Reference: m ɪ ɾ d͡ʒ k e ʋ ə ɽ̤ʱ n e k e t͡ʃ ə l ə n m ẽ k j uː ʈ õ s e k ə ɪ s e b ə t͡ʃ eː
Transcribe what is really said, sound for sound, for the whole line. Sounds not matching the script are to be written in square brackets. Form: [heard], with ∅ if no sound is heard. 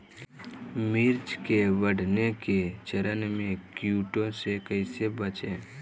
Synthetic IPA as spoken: m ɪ ɾ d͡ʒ k e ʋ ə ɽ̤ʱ n e k e t͡ʃ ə [ɾ] ə n m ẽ k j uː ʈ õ s e k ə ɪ s e b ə t͡ʃ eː